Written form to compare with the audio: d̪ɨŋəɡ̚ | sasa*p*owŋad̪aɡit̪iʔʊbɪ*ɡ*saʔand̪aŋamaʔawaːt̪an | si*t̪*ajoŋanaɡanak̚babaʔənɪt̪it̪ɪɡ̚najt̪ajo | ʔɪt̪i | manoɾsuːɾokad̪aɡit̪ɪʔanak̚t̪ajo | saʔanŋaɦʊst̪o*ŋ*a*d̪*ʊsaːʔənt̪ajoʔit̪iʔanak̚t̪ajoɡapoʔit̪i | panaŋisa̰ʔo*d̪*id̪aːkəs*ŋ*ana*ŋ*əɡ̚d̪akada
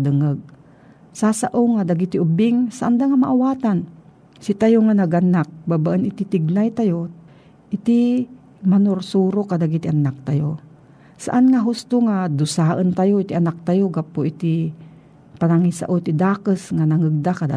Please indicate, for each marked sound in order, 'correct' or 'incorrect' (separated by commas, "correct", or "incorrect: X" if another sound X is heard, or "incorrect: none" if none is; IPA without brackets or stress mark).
incorrect: ʔ, incorrect: ŋ, correct, correct, correct, incorrect: t̪, correct, correct